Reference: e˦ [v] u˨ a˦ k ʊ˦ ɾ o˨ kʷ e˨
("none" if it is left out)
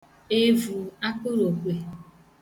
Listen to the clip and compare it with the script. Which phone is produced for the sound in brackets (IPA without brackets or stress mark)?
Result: v